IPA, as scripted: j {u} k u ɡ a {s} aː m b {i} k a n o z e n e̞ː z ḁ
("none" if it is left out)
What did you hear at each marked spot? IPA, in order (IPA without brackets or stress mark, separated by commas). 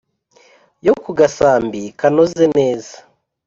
o, s, i